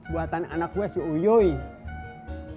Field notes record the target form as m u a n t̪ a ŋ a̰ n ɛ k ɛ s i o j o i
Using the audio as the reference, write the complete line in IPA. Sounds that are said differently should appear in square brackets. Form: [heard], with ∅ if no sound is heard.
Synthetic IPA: [b] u a [∅] t̪ a [n] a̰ n [a] k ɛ s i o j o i